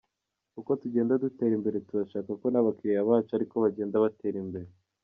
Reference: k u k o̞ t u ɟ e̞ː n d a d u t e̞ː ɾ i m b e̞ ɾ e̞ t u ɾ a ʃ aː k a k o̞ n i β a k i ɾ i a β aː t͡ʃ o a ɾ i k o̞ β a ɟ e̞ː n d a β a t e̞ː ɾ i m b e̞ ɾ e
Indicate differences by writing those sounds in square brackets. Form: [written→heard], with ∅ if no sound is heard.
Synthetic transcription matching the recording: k u k o̞ t u ɟ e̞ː n d a d u t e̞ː ɾ i m b e̞ ɾ e̞ t u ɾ a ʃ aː k a k o̞ n [i→a] β a k i ɾ i a β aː t͡ʃ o a ɾ i k o̞ β a ɟ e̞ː n d a β a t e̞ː ɾ i m b e̞ ɾ e